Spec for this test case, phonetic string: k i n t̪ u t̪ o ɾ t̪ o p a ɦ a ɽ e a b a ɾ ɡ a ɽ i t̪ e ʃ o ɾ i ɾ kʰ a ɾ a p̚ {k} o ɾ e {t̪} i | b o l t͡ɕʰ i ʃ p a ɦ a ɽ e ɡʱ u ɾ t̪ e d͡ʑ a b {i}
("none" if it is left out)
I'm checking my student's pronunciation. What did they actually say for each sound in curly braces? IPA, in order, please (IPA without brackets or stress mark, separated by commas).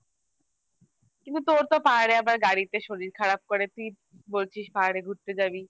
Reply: k, t̪, i